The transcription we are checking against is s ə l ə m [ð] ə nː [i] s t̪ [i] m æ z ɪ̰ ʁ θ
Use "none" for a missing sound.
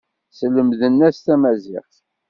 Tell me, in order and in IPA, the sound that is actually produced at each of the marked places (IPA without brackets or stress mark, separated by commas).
ð, æ, æ